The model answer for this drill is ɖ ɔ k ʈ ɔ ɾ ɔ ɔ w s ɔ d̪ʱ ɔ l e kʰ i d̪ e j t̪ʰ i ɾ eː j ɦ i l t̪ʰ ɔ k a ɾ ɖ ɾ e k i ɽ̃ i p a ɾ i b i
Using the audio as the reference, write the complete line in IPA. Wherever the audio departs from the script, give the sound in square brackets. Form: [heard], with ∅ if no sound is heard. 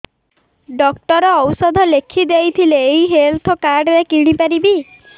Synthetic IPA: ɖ ɔ k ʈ ɔ ɾ ɔ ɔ w s ɔ d̪ʱ ɔ l e kʰ i d̪ e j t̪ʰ i [l] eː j ɦ [e] l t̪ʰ ɔ k a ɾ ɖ ɾ e k i ɽ̃ i p a ɾ i b i